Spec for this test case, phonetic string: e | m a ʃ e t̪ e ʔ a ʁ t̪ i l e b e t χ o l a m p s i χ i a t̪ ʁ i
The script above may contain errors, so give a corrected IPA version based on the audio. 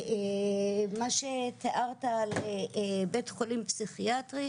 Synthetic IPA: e | m a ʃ e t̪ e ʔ a ʁ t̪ a l e b e t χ o l i m p s i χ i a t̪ ʁ i